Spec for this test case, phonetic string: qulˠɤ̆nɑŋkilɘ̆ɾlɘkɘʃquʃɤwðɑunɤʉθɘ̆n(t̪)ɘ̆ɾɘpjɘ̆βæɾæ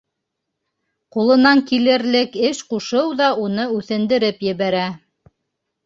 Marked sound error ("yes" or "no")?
yes